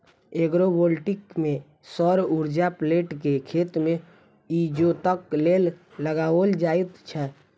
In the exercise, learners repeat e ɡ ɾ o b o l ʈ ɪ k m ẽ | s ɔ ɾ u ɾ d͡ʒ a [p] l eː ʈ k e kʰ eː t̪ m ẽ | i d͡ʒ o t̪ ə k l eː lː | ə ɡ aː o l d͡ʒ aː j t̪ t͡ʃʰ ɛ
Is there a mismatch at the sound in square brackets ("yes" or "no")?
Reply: no